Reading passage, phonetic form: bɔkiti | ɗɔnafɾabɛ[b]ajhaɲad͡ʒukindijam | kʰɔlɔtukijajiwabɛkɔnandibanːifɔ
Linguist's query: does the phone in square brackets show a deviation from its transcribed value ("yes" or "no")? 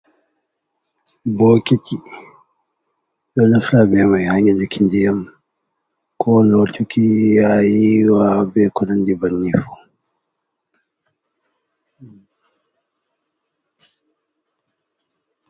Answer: yes